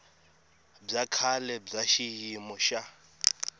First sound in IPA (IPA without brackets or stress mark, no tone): b͡ʐ